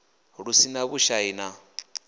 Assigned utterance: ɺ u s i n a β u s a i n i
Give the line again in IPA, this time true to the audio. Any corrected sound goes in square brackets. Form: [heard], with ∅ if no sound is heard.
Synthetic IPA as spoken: ɺ u s i n a β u [ʃ] a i n [a]